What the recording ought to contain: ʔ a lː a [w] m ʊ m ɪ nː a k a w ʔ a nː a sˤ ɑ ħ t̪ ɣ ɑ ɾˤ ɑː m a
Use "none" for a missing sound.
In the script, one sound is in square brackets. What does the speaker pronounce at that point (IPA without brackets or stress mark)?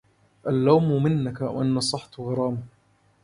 w